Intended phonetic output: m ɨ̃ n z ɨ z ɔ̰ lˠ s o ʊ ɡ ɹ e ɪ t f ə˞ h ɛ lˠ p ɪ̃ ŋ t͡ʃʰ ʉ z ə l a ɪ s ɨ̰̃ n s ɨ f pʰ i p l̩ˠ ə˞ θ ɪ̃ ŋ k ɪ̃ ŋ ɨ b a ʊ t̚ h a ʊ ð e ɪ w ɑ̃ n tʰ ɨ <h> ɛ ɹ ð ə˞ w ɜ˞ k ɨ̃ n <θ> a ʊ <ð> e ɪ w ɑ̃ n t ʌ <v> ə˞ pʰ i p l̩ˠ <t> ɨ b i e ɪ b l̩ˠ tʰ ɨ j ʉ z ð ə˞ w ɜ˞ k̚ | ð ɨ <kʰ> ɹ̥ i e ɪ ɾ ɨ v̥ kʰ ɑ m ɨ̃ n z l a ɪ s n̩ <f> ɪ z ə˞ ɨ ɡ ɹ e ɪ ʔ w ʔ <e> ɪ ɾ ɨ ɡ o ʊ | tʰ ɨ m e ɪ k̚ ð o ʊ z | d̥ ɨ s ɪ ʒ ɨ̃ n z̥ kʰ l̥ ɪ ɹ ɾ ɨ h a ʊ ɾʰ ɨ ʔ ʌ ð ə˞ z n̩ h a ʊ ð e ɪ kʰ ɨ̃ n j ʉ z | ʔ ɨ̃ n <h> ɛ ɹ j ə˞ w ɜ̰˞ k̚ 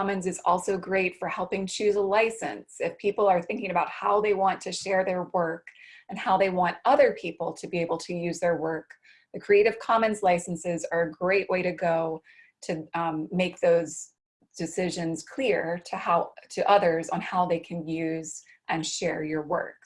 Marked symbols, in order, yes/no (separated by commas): no, no, yes, no, no, yes, no, yes, no